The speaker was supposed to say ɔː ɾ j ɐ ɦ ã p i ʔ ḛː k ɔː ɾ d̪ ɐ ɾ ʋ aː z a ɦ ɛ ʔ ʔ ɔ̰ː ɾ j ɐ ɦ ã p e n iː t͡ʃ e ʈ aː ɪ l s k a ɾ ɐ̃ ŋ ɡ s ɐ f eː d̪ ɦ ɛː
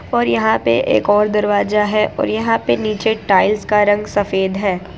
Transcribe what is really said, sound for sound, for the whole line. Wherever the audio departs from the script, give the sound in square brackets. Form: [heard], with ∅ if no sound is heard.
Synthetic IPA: ɔː ɾ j ɐ ɦ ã p [e] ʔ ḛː k ɔː ɾ d̪ ɐ ɾ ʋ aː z a ɦ ɛ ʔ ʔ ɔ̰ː ɾ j ɐ ɦ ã p e n iː t͡ʃ e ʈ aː ɪ l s k a ɾ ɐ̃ ŋ ɡ s ɐ f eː d̪ ɦ ɛː